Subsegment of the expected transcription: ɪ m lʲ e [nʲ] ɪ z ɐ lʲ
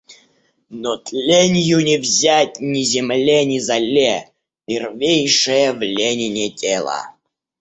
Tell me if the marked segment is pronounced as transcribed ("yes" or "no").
yes